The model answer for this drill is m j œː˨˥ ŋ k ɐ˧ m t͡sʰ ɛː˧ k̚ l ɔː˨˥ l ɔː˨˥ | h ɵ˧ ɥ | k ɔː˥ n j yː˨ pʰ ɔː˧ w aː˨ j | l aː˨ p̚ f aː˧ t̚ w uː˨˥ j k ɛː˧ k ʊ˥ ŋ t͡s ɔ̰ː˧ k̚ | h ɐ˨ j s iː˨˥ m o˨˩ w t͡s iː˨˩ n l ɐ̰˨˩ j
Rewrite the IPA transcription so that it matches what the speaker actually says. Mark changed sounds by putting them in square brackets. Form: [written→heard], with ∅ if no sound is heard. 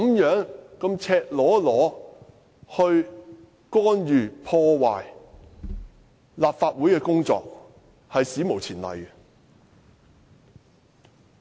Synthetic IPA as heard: m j œː˨˥ ŋ k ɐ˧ m t͡sʰ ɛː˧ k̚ l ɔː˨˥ l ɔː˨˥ | h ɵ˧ ɥ | k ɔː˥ n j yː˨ pʰ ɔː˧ w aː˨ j | l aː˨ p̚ f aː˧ t̚ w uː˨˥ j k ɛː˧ k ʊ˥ ŋ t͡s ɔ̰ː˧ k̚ | h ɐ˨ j s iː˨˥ m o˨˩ w [t͡s→t͡sʰ] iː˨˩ n l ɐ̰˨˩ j